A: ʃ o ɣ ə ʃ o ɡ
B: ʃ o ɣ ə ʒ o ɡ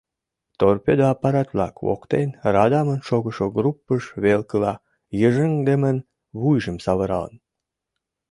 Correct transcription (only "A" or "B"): A